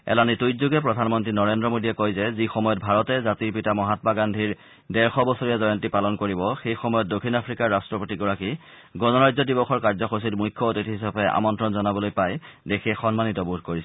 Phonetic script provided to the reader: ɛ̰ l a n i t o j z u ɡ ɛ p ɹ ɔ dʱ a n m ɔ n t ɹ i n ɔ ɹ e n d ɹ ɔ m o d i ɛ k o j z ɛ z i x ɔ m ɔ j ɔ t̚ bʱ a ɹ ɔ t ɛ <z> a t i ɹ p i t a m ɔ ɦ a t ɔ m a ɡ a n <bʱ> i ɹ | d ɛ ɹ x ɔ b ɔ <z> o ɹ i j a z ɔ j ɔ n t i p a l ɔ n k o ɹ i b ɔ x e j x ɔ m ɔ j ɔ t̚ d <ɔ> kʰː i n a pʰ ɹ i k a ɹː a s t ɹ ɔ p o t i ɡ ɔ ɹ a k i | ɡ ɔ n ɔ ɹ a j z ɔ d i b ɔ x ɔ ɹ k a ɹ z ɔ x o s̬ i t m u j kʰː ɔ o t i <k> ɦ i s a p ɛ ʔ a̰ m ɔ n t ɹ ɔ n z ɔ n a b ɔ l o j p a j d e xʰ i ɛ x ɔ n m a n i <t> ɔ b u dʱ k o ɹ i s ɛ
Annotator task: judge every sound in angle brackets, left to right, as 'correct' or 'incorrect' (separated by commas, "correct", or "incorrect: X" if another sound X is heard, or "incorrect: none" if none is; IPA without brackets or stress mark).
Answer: correct, incorrect: dʱ, incorrect: s, incorrect: o, incorrect: t, correct